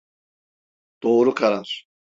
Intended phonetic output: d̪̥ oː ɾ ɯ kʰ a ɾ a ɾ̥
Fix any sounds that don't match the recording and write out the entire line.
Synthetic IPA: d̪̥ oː ɾ u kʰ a ɾ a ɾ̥